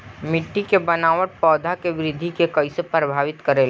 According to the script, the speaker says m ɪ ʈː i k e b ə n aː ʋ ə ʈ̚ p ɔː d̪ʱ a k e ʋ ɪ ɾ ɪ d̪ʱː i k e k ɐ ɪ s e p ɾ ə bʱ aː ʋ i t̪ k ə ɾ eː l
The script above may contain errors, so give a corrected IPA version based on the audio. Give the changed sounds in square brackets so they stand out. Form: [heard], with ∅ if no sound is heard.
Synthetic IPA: m ɪ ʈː i k e b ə n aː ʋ ə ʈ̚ p ɔː d̪ʱ a k e ʋ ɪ ɾ ɪ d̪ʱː i k e k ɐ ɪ s e p ɾ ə bʱ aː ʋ [ɪ] t̪ k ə ɾ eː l

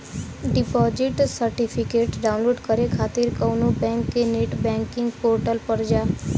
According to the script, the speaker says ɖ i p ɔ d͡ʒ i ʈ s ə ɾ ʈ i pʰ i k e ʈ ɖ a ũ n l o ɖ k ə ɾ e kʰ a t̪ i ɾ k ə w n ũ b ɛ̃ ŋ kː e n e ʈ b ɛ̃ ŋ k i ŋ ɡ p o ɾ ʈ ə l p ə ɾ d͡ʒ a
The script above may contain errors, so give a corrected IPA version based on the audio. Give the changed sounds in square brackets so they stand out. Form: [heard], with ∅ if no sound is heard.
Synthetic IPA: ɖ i p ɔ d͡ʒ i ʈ s ə ɾ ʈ i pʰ i k e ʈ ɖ a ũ n l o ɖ k ə ɾ e kʰ a t̪ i ɾ k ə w n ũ b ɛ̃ ŋ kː e n e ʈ b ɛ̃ ŋ k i ŋ ɡ p o ɾ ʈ ə l p ə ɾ d͡ʒ a

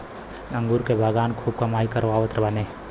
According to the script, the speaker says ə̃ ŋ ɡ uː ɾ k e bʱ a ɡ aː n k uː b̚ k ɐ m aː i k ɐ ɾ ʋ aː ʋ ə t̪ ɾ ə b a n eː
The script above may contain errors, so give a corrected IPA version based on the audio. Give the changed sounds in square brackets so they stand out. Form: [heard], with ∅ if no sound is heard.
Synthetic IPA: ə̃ ŋ ɡ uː ɾ k e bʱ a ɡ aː n [kʰ] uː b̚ k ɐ m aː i k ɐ ɾ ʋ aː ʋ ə t̪ ɾ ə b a n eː

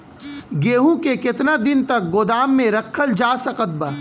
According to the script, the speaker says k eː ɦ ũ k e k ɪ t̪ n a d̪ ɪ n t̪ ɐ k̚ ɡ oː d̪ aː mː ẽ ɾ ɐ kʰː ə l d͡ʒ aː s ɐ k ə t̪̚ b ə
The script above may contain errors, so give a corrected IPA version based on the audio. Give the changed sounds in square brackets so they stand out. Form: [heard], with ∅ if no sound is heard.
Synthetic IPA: [ɡ] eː ɦ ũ k e k ɪ t̪ n a d̪ ɪ n t̪ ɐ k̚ ɡ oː d̪ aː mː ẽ ɾ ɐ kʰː ə l d͡ʒ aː s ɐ k ə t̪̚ b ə

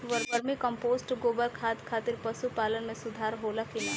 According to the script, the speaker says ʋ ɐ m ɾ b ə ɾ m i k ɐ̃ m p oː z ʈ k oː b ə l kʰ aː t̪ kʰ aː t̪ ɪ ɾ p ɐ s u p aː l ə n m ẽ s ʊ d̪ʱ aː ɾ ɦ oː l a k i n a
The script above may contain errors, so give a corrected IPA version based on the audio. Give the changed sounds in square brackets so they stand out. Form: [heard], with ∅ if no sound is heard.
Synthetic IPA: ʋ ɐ [∅] ɾ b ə ɾ m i k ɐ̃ m p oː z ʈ [ɡ] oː b ə l kʰ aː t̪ kʰ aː t̪ ɪ ɾ p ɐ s u p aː l ə n m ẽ s ʊ d̪ʱ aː ɾ ɦ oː l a k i n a

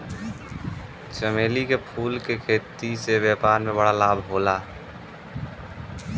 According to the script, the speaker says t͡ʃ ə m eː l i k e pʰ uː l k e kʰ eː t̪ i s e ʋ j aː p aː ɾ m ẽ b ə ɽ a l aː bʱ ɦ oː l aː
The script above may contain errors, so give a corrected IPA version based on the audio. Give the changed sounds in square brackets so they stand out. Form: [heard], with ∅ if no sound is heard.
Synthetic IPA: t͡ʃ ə m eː l i k e pʰ uː l k e kʰ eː t̪ i s e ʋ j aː p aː ɾ m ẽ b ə ɽ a l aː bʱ ɦ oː l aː

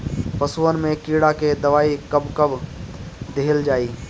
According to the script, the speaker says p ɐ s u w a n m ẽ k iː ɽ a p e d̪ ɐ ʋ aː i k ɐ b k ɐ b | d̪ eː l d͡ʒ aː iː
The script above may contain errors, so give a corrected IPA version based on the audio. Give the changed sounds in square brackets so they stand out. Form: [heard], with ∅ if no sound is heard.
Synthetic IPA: p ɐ s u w [ə] n m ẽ k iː ɽ a [k] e d̪ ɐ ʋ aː i k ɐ b k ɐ b | d̪ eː l d͡ʒ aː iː

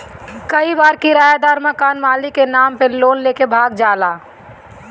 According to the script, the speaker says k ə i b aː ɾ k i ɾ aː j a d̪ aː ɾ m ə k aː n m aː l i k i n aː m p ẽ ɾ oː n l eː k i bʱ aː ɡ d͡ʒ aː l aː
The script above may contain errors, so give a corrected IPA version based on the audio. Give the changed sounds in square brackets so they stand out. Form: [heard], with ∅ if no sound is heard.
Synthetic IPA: k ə i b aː ɾ k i ɾ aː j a d̪ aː ɾ m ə k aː n m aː l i k [e] n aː m p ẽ [l] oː n l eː k [e] bʱ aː ɡ d͡ʒ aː l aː

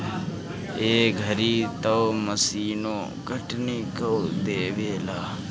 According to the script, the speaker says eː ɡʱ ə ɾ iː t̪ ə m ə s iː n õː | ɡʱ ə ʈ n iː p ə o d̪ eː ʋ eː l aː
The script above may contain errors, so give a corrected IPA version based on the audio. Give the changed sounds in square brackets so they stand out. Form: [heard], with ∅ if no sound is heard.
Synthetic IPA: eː ɡʱ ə ɾ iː t̪ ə m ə s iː n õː | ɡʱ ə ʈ n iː [k] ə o d̪ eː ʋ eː l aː

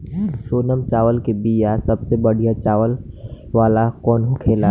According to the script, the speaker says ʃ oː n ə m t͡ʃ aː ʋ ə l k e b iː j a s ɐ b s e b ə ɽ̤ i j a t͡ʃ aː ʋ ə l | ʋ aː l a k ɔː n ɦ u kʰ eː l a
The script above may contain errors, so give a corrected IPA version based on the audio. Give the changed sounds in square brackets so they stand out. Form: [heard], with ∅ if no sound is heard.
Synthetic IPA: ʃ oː n ə m t͡ʃ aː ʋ ə l k e b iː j a s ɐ b s e b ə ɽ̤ i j a t͡ʃ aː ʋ ə l | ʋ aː l a k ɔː n ɦ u kʰ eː l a

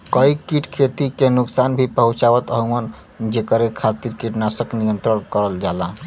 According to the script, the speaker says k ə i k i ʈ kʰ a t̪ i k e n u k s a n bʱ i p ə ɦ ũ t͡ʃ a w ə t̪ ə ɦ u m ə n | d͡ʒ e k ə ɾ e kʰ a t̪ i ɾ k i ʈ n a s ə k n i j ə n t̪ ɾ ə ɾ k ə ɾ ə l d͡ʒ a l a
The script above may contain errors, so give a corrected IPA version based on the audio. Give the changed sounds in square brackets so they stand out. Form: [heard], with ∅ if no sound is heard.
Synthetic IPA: k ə i k i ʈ kʰ [e] t̪ i k e n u k s a n bʱ i p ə ɦ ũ t͡ʃ a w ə t̪ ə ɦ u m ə n | d͡ʒ e k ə ɾ e kʰ a t̪ i ɾ k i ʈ n a s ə k n i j ə n t̪ ɾ ə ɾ k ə ɾ ə l d͡ʒ a l a

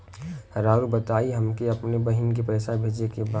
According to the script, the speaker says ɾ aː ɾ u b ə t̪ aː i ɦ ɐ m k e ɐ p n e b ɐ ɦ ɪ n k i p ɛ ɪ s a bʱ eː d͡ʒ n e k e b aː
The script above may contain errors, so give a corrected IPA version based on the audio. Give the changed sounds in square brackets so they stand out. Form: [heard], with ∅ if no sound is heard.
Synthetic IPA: ɾ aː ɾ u b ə t̪ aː i ɦ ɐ m k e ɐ p n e b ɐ ɦ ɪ n k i p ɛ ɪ s a bʱ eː d͡ʒ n e k e b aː

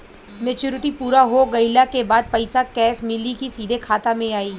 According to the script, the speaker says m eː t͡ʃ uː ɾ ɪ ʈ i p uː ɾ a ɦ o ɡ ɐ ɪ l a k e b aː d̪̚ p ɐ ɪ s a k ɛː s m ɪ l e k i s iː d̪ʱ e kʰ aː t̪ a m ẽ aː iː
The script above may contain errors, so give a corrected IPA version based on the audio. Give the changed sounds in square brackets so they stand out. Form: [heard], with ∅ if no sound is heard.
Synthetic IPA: m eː t͡ʃ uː ɾ ɪ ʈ i p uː ɾ a ɦ o ɡ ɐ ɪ l a k e b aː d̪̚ p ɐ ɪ s a k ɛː s m ɪ l [i] k i s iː d̪ʱ e kʰ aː t̪ a m ẽ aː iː

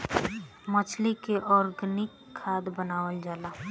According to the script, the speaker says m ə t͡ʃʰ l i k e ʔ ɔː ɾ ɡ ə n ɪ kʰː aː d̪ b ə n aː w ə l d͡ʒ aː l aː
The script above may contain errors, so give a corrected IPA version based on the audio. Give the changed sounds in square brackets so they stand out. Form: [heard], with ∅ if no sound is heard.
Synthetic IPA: m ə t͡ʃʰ l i k e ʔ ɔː ɾ ɡ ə n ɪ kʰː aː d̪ b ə n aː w ə l d͡ʒ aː l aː

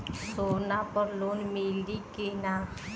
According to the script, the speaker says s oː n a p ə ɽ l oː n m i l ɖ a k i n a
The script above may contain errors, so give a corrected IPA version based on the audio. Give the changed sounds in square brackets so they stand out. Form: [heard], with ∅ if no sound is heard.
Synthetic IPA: s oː n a p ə [ɾ] l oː n m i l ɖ [i] k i n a

